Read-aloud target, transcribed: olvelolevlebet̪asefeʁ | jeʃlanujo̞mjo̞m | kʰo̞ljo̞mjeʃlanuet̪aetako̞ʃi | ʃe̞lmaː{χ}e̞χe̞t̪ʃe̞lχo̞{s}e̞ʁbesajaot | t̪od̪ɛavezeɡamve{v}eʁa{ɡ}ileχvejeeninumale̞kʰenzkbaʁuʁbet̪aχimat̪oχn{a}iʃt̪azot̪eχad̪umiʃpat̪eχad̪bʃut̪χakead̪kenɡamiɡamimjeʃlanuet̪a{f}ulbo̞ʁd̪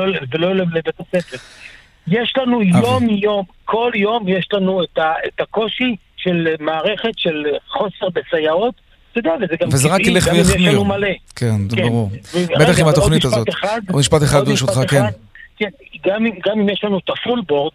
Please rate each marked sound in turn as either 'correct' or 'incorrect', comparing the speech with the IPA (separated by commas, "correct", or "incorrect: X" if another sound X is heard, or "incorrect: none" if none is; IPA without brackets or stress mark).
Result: incorrect: ʁ, correct, incorrect: z, incorrect: k, incorrect: i, correct